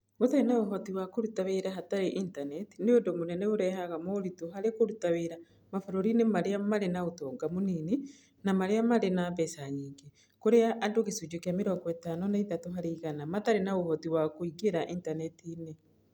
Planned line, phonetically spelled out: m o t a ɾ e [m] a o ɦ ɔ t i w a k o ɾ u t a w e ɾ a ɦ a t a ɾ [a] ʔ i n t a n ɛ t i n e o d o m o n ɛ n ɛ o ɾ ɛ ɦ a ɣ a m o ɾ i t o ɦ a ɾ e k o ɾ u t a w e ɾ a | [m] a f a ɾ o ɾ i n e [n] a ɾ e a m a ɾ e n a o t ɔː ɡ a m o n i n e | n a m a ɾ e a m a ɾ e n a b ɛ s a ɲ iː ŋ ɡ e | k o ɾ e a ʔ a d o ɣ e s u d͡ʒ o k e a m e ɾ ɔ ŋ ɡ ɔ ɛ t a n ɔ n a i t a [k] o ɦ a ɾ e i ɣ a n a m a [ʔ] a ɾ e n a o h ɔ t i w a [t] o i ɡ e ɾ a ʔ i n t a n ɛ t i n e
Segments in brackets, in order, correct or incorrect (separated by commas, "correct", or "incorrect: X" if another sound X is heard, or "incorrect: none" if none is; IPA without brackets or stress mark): incorrect: n, incorrect: e, correct, incorrect: m, incorrect: t, incorrect: t, incorrect: k